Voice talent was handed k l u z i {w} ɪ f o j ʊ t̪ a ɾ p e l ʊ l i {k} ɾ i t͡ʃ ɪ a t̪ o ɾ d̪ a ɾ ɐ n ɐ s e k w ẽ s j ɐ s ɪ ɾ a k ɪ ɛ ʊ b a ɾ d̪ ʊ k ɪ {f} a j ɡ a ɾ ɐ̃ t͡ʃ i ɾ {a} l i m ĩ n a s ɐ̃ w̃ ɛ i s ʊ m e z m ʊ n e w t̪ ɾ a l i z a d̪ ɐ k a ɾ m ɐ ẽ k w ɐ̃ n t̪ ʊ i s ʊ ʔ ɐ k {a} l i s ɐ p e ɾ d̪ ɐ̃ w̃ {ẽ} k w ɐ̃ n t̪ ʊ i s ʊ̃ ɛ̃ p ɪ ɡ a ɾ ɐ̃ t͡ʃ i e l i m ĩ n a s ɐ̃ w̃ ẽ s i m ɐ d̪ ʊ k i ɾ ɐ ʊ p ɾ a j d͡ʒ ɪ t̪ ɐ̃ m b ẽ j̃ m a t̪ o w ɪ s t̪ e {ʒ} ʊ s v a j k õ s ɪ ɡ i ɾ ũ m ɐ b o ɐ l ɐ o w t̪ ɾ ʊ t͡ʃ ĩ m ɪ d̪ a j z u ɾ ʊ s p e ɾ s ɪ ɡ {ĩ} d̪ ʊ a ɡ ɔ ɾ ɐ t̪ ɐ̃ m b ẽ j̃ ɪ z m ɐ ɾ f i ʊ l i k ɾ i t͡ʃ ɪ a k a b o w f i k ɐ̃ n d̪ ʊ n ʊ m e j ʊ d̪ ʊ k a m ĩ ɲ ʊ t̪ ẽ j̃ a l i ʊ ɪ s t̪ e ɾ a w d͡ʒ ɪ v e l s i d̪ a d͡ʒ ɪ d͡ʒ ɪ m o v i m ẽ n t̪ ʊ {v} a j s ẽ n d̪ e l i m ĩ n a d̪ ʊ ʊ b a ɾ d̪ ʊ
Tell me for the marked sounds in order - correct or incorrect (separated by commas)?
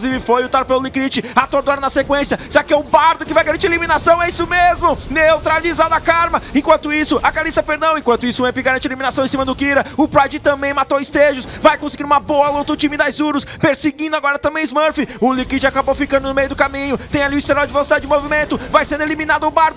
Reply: incorrect, correct, incorrect, incorrect, correct, correct, correct, correct, correct